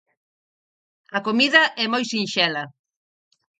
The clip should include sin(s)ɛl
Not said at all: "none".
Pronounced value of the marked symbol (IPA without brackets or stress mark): ʃ